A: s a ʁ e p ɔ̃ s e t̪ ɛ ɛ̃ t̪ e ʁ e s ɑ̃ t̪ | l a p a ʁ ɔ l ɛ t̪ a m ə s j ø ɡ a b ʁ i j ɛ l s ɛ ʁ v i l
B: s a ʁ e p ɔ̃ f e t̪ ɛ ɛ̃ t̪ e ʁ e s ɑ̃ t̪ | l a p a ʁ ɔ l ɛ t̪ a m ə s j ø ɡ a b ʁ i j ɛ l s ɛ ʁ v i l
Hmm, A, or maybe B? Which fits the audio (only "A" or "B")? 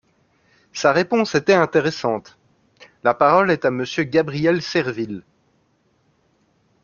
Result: A